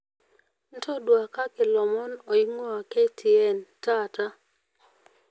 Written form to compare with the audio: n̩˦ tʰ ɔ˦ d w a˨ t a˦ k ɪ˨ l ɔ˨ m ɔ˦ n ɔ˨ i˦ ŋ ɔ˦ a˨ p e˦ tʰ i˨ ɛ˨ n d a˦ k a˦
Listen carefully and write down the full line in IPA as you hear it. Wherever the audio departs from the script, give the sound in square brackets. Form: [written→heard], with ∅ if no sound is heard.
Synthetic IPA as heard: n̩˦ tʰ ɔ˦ d w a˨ [t→k] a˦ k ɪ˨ l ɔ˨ m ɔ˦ n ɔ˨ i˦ ŋ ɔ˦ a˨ [p→k] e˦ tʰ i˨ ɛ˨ n [d→t] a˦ [k→t] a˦